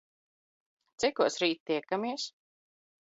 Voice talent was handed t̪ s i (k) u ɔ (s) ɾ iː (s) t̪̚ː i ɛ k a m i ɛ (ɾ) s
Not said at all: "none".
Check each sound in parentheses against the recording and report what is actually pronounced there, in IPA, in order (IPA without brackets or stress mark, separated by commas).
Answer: k, s, none, none